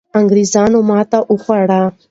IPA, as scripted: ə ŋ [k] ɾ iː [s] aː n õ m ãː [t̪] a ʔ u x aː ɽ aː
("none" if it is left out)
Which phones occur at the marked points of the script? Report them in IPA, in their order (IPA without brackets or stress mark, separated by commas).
ɡ, z, t̪